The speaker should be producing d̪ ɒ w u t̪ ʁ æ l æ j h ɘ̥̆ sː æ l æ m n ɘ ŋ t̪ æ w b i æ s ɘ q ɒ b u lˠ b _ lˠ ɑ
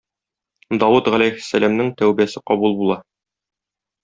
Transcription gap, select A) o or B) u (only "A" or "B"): B